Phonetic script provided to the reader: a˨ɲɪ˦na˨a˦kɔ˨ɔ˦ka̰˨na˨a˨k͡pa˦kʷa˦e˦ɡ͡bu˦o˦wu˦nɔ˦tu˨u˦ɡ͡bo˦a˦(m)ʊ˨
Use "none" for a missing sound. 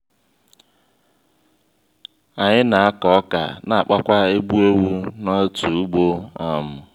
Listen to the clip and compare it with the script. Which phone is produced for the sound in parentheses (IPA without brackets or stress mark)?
m